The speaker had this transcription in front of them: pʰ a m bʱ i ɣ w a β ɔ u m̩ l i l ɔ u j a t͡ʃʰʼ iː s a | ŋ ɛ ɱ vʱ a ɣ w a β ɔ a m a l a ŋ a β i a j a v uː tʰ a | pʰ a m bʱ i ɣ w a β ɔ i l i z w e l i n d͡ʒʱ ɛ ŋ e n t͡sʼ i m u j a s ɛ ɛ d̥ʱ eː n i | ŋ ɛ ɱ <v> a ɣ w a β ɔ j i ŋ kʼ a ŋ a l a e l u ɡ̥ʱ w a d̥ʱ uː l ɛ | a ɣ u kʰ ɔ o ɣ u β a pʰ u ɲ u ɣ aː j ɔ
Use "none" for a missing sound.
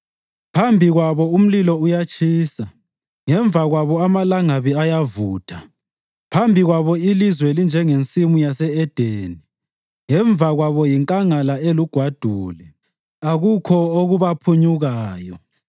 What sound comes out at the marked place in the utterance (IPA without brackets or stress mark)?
v